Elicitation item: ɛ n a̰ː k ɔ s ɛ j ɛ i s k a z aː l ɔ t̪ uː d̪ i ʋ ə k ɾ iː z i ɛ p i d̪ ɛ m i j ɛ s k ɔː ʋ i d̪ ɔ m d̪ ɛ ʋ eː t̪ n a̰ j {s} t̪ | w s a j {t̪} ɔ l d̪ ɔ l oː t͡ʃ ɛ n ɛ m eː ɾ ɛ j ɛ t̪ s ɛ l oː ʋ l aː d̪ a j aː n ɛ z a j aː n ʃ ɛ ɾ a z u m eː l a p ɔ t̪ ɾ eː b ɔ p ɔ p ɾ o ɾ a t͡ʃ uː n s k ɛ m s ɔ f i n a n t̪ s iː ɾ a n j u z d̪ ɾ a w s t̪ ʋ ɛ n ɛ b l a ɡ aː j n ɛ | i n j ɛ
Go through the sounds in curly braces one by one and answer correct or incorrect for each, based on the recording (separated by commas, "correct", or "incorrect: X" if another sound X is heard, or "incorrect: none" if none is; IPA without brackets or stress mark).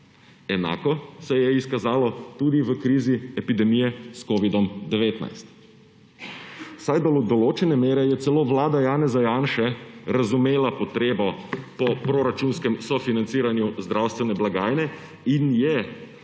correct, incorrect: d̪